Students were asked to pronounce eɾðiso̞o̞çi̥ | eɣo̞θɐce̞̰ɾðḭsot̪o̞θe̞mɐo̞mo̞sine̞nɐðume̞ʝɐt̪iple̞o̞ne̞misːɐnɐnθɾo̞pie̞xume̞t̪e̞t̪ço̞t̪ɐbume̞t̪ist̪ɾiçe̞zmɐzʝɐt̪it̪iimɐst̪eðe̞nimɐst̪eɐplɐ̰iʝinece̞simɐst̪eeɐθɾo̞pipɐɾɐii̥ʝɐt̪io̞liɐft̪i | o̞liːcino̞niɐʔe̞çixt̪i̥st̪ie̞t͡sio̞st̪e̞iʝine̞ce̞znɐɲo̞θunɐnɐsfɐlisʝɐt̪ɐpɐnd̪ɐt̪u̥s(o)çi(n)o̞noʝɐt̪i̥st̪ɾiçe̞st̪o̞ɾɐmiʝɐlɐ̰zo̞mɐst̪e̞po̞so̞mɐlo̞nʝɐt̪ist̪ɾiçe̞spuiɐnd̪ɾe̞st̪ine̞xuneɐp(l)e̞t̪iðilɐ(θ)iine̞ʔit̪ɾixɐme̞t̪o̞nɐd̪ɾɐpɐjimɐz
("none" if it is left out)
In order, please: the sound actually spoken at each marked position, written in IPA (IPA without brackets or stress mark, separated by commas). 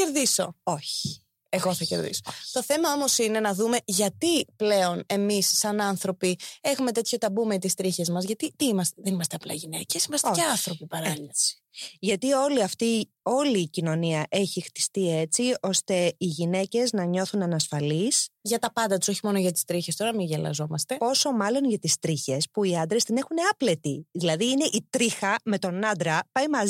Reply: o, m, l, ð